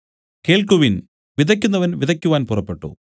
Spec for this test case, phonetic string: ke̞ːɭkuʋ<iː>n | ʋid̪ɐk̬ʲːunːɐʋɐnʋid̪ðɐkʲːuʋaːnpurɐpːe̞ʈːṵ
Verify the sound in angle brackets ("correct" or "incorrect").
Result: incorrect